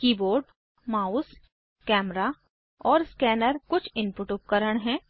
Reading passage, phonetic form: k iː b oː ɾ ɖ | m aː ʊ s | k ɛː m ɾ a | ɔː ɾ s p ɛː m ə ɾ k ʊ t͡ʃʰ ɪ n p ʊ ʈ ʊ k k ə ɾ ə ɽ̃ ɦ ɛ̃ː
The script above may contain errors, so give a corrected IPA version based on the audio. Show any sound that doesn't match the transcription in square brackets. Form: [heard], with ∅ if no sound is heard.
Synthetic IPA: k iː b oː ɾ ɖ | m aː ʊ s | k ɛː m ɾ a | ɔː ɾ s [k] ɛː [n] ə ɾ k ʊ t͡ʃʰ ɪ n p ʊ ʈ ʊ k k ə ɾ ə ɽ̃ ɦ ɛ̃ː